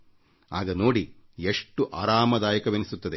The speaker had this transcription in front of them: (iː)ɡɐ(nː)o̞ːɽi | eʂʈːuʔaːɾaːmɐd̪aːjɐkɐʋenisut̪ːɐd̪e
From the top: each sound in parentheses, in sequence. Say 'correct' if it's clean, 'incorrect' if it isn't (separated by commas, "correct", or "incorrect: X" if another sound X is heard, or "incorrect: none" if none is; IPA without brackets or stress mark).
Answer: incorrect: aː, incorrect: n